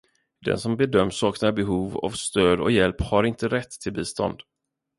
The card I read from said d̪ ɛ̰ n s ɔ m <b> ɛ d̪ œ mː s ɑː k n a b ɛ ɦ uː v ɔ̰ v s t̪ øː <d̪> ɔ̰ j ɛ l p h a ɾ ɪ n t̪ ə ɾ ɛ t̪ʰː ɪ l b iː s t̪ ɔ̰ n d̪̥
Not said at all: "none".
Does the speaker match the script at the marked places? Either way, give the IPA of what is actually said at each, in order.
b, d̪

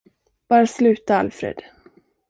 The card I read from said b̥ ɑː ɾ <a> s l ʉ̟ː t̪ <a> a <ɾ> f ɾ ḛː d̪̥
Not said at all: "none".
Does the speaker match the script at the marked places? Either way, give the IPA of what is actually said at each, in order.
a, a, l

